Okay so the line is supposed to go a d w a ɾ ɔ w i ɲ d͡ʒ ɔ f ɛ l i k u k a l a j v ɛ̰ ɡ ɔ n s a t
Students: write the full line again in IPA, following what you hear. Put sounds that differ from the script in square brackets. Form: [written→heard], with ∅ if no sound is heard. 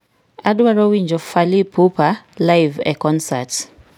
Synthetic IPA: a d w a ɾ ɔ w i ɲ d͡ʒ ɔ f [ɛ→a] l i [k→p] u [k→p] a l a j v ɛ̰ [ɡ→k] ɔ n s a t